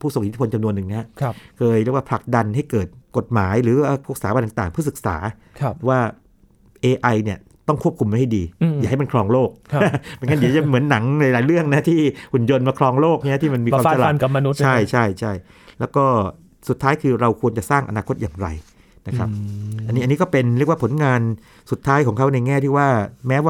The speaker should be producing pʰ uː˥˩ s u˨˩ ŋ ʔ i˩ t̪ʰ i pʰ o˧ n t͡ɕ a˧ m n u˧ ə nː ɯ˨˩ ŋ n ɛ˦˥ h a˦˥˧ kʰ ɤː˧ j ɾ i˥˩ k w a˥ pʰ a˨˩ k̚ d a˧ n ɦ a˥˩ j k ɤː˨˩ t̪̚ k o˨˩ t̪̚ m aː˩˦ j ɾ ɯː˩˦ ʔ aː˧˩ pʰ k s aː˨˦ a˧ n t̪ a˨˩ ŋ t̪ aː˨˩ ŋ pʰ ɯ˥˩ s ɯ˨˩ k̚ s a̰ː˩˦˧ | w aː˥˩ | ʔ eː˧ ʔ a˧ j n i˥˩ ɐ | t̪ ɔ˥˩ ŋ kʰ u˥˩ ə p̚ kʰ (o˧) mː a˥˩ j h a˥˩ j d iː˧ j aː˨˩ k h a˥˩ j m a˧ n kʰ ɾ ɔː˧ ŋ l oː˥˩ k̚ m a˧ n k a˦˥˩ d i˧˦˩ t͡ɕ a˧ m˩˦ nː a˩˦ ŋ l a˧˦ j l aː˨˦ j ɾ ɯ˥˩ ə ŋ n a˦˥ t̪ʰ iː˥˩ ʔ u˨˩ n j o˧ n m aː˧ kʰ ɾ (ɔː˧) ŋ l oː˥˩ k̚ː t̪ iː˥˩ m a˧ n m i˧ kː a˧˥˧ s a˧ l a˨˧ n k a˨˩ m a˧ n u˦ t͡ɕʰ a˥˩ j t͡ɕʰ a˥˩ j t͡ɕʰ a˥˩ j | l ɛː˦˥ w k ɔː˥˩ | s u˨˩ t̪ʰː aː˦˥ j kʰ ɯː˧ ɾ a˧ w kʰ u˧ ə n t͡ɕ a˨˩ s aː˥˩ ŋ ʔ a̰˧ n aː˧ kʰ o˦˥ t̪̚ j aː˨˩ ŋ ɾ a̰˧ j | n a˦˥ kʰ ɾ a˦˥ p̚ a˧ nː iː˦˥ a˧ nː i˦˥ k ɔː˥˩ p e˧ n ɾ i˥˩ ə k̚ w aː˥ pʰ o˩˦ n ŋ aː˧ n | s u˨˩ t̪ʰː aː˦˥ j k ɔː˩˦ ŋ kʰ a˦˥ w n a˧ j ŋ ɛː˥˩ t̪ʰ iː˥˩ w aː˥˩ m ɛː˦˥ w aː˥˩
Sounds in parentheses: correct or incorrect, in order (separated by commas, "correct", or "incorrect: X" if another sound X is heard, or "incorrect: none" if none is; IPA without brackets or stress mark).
incorrect: u˧, correct